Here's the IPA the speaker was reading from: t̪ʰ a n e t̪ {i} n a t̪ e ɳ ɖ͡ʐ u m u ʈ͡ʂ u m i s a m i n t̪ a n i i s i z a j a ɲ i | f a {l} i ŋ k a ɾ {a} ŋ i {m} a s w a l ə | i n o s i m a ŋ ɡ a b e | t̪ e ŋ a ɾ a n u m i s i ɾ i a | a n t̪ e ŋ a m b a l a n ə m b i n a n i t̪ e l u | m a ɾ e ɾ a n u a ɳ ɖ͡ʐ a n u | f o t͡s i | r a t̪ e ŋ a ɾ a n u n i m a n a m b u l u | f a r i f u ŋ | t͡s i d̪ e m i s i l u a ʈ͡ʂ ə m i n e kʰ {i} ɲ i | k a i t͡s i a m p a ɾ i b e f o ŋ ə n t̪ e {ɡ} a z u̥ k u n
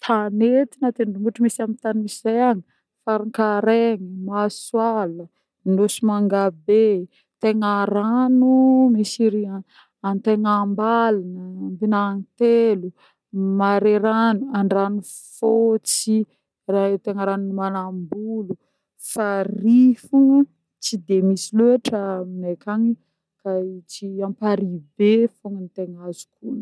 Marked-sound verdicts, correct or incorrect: correct, incorrect: ɾ, incorrect: e, correct, incorrect: a, incorrect: ŋ

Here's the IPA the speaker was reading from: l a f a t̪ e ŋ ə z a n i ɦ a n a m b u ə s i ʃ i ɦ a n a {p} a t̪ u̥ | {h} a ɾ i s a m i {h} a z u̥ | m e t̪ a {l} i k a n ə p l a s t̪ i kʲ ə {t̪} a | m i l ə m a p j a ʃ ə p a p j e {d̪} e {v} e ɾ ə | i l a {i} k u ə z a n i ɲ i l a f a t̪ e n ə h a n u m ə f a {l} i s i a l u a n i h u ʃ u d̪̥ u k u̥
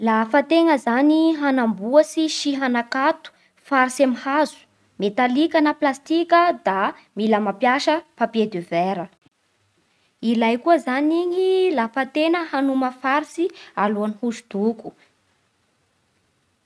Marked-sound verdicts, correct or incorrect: incorrect: k, incorrect: f, correct, correct, incorrect: d̪, correct, correct, incorrect: j, incorrect: ɾ

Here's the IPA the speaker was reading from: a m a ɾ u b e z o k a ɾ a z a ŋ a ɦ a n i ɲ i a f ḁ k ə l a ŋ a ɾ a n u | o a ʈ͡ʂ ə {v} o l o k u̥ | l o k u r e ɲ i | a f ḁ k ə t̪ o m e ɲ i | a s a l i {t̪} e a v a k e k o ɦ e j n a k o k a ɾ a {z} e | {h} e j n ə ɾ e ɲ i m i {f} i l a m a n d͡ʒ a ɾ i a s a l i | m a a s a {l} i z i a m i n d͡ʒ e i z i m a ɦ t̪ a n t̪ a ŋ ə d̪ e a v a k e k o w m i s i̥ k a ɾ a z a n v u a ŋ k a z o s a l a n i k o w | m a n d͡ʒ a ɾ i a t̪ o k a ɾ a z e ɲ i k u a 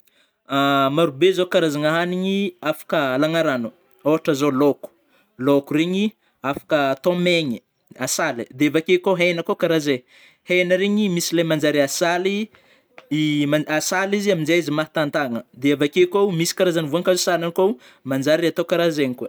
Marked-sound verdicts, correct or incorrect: incorrect: z, incorrect: d̪, correct, correct, incorrect: s, correct

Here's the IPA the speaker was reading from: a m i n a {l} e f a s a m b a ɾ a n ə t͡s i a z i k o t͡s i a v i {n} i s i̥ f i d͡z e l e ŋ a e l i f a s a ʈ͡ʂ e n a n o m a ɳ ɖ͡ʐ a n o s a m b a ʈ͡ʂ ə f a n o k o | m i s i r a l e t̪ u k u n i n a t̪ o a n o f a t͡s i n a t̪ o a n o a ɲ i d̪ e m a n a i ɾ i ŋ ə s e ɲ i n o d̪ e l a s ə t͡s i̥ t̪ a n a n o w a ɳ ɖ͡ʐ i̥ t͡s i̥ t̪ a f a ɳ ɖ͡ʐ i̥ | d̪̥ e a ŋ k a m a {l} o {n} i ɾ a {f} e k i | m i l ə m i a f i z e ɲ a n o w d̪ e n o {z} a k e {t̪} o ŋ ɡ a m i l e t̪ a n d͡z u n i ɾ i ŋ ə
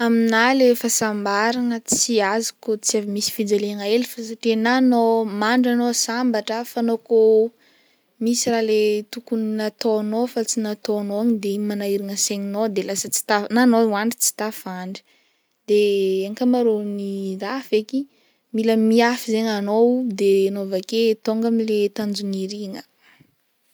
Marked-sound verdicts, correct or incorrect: correct, incorrect: m, incorrect: ɾ, correct, correct, incorrect: v, correct

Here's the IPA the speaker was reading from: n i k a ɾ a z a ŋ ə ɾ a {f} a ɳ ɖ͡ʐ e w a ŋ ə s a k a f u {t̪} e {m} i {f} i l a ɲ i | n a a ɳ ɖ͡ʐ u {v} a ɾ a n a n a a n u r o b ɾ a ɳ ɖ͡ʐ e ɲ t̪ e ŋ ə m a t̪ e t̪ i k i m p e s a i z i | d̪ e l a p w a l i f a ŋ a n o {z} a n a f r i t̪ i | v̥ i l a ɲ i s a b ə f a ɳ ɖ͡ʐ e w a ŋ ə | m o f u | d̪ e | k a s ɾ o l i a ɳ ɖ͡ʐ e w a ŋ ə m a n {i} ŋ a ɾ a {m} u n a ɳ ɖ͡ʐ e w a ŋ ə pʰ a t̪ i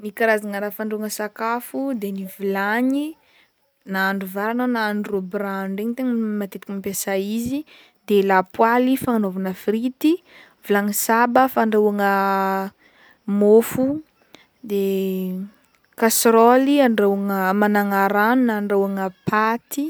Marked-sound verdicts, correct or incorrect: correct, incorrect: d̪, incorrect: n, incorrect: v, correct, incorrect: v, incorrect: a, incorrect: n

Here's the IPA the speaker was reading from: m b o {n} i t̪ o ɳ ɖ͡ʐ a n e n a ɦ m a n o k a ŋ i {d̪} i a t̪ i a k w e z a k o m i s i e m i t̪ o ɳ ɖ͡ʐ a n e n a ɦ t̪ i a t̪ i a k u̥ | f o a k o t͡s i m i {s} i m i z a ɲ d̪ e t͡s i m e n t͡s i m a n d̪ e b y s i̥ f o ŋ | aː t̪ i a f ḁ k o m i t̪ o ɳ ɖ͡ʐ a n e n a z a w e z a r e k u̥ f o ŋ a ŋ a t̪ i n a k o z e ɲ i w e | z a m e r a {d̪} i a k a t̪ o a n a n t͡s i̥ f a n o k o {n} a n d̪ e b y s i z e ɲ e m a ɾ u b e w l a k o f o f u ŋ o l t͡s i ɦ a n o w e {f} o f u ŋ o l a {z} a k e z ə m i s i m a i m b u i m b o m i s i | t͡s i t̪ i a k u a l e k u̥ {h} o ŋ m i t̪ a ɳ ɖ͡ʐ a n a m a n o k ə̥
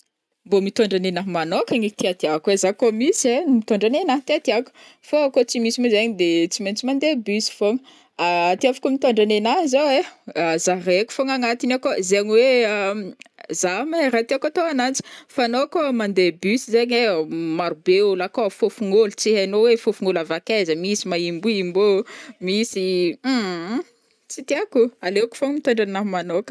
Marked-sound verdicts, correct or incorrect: incorrect: m, incorrect: t̪, correct, incorrect: t̪, incorrect: m, correct, incorrect: v, incorrect: f

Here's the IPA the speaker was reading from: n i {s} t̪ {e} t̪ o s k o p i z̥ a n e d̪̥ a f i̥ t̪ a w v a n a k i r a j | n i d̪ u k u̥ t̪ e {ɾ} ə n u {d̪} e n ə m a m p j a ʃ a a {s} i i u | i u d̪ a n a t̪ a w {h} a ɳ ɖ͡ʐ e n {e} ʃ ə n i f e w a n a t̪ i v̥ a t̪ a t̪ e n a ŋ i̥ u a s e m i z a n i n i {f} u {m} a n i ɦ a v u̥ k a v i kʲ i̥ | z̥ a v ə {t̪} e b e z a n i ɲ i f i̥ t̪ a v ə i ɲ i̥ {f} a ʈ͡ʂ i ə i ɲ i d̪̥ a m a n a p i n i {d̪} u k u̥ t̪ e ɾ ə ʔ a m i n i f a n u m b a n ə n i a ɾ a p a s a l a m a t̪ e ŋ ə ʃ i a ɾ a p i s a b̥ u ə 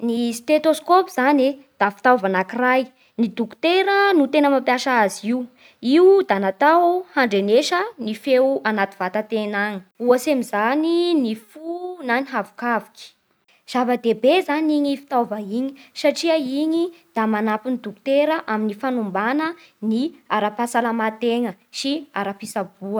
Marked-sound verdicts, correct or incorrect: correct, correct, correct, incorrect: t̪, incorrect: z, correct, correct, correct, incorrect: n, incorrect: d̪, incorrect: s, correct

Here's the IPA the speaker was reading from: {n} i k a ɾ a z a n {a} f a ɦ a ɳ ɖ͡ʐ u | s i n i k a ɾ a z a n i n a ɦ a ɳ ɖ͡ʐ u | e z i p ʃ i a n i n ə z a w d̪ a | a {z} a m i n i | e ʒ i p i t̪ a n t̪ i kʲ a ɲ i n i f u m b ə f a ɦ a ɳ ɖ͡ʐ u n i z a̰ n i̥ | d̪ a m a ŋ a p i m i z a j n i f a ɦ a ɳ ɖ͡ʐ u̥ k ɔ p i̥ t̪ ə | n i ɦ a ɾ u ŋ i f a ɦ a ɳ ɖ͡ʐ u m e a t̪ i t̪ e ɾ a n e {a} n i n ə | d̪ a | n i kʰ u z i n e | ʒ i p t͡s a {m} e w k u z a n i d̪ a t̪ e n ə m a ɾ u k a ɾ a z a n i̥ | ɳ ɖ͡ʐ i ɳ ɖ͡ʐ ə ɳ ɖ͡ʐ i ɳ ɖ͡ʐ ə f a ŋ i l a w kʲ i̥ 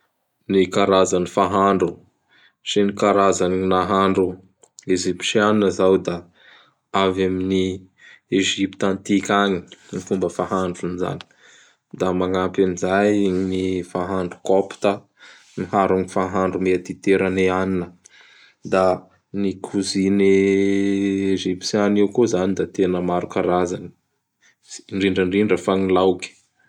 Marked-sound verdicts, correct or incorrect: correct, incorrect: i, incorrect: v, correct, incorrect: n

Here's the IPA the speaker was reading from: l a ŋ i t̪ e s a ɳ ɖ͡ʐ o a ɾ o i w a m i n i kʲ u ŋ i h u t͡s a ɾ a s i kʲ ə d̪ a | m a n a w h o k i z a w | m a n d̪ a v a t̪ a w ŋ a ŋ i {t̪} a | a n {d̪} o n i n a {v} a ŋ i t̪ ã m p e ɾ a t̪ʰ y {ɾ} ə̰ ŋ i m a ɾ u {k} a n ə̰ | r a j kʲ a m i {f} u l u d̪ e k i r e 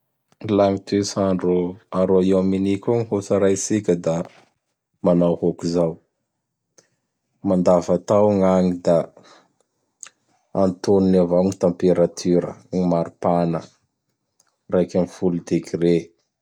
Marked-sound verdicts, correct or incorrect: incorrect: d̪, incorrect: t̪, correct, correct, incorrect: p, correct

